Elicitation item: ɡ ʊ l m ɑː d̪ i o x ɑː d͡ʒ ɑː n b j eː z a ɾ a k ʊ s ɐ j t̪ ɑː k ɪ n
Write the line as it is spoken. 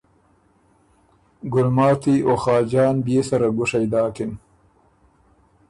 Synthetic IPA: ɡ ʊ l m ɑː t̪ i o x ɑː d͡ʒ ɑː n b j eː s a ɾ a ɡ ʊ ʂ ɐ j d̪ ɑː k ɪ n